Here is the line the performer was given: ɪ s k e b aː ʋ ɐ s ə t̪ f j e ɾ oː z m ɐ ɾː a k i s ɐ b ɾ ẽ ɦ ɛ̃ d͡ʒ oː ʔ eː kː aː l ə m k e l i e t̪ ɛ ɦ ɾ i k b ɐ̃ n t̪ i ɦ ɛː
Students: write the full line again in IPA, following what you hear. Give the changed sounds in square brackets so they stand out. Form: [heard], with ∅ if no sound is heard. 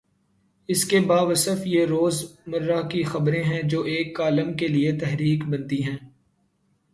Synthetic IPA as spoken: ɪ s k e b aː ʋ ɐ s ə [∅] f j e ɾ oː z m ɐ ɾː a k i [x] ɐ b ɾ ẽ ɦ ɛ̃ d͡ʒ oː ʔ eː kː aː l ə m k e l i e t̪ ɛ ɦ ɾ [iː] k b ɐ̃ n t̪ i ɦ [ɛ̃ː]